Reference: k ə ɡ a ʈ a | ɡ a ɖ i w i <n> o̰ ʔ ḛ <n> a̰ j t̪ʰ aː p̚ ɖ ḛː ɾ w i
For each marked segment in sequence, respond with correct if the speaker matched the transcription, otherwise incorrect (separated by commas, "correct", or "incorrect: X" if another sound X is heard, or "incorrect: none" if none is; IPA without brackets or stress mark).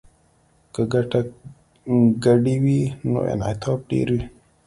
correct, correct